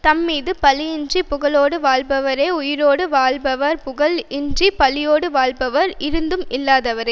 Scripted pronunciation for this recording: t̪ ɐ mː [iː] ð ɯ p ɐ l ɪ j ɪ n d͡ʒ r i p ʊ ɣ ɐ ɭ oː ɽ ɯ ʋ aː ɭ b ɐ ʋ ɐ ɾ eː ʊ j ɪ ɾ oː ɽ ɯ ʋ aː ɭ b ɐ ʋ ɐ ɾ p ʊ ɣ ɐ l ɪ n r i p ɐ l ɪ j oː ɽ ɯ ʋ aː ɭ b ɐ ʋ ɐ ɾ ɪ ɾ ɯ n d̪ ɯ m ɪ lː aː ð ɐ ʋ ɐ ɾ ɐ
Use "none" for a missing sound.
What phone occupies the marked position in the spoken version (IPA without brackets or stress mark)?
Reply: iː